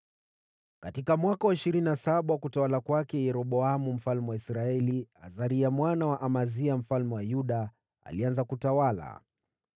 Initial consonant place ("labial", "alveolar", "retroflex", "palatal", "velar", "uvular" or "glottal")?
velar